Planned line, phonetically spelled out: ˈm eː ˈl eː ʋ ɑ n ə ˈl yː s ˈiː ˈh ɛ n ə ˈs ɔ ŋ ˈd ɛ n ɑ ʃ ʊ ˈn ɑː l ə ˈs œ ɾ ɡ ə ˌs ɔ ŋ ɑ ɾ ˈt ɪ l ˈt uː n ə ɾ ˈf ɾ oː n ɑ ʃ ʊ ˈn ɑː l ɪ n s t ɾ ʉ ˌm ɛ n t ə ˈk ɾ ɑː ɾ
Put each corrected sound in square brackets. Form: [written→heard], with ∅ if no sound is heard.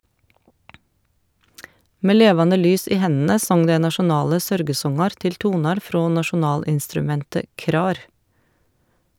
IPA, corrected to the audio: ˈm eː ˈl eː ʋ ɑ n ə ˈl yː s ˈiː ˈh ɛ n ə ˈs ɔ ŋ ˈd ɛ n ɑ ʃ ʊ ˈn ɑː l ə ˈs œ ɾ ɡ ə ˌs ɔ ŋ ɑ ɾ ˈt ɪ l ˈt uː n [ə→ɑ] ɾ ˈf ɾ oː n ɑ ʃ ʊ ˈn ɑː l ɪ n s t ɾ ʉ ˌm ɛ n t ə ˈk ɾ ɑː ɾ